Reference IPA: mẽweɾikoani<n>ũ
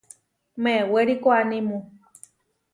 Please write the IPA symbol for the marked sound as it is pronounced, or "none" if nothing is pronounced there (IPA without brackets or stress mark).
m